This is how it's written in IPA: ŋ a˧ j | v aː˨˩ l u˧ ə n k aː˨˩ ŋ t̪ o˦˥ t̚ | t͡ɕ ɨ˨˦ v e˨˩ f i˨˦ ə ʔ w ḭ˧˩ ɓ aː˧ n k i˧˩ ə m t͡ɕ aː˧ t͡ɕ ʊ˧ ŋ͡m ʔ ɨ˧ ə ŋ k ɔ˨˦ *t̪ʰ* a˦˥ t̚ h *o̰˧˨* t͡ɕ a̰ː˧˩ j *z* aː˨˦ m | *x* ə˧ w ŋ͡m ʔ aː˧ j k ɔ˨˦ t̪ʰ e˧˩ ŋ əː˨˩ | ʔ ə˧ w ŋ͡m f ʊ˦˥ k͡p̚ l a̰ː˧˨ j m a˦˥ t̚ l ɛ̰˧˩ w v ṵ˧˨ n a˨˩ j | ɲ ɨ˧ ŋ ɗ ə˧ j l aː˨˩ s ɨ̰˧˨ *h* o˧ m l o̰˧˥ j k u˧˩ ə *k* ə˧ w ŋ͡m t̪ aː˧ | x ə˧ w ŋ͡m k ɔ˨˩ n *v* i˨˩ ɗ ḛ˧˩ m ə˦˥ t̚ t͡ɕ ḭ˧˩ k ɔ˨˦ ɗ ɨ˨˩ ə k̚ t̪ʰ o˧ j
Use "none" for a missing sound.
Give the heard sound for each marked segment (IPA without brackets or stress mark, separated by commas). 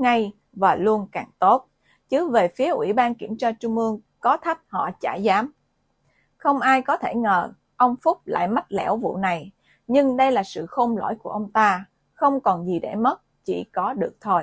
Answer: t̪ʰ, ɔ̰˧˨, z, x, x, ʔ, z